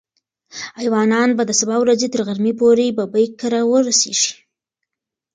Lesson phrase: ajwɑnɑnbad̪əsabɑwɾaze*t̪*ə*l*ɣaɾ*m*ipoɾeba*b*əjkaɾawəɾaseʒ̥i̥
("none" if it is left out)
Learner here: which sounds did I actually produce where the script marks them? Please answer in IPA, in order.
t̪, ɾ, m, b

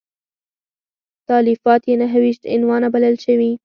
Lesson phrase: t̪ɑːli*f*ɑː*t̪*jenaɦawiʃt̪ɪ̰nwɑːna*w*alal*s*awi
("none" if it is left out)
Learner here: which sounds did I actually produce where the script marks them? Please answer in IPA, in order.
f, t̪, b, ʃ

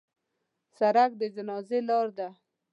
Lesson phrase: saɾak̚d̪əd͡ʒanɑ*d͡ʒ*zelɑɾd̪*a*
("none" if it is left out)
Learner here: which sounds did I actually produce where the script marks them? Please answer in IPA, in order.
none, a

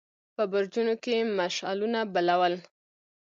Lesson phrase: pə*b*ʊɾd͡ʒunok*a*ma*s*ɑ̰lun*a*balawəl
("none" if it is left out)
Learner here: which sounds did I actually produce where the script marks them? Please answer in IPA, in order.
b, e, ʃ, a

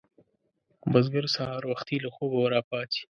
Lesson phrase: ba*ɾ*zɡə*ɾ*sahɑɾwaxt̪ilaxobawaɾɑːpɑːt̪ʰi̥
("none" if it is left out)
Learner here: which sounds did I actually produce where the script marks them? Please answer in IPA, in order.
none, ɾ

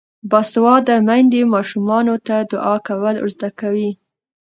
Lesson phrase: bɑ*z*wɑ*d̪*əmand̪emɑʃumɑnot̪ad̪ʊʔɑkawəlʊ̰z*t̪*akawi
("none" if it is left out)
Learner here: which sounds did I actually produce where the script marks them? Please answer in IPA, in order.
s, d̪, d̪

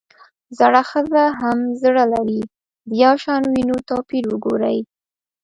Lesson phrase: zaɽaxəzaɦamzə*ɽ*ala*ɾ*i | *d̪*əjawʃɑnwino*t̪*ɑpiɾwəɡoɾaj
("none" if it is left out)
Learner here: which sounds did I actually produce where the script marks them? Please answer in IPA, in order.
ɽ, ɾ, d̪, t̪

